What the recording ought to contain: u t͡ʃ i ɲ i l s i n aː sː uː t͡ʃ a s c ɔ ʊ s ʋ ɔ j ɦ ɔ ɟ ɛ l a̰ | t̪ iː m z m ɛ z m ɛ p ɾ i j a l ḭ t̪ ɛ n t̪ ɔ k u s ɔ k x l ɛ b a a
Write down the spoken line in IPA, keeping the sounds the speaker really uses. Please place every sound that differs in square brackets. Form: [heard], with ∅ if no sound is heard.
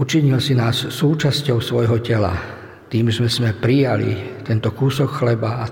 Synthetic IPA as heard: u t͡ʃ i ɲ i l s i n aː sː uː t͡ʃ a s c ɔ ʊ s ʋ ɔ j ɦ ɔ [c] ɛ l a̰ | t̪ iː m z m ɛ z m ɛ p ɾ i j a l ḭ t̪ ɛ n t̪ ɔ k u s ɔ k x l ɛ b a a